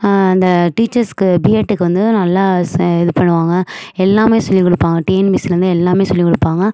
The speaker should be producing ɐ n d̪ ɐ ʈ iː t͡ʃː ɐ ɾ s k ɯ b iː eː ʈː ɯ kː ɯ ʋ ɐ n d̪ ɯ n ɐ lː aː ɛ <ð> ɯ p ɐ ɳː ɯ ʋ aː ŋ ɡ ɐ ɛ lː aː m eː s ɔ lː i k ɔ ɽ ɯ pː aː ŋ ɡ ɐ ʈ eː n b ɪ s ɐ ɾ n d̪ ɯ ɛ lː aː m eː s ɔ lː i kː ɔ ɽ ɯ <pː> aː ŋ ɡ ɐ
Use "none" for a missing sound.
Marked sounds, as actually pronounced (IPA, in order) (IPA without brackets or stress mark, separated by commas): ð, pː